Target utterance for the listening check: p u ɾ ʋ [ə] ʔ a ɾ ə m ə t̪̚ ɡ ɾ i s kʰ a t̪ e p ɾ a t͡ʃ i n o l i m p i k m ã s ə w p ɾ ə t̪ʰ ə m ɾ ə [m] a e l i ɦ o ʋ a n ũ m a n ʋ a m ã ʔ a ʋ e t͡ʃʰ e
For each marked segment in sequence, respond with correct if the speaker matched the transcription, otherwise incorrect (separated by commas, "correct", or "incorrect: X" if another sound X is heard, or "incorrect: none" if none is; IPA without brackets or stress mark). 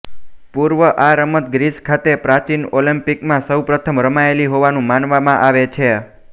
correct, correct